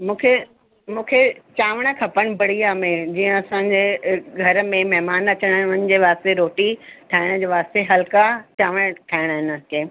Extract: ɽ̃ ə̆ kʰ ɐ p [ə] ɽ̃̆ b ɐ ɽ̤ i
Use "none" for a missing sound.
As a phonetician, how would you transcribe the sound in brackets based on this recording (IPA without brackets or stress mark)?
ə